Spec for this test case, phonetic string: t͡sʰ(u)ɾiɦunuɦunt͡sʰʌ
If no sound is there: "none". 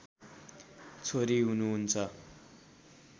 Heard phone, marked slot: o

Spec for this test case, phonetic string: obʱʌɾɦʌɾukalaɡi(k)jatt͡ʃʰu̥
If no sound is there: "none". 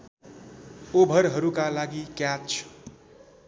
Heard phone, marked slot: k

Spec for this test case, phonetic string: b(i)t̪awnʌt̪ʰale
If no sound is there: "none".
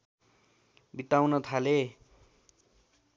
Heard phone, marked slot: i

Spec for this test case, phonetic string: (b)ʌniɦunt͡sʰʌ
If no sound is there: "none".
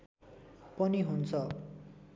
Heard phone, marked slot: p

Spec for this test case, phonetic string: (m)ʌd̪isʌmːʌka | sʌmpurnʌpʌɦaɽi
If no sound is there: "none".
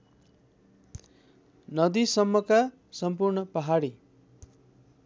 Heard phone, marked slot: n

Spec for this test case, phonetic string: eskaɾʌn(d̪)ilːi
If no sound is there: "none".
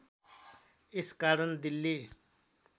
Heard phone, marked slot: d̪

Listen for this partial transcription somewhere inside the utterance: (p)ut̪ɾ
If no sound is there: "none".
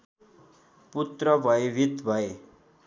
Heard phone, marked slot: p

